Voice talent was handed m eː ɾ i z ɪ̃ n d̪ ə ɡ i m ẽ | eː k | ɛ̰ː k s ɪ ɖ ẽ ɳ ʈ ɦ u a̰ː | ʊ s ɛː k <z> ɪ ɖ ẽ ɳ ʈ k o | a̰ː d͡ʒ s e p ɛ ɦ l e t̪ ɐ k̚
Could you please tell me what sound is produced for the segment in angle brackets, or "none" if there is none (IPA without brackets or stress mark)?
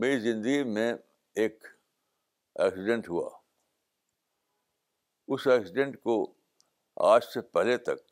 s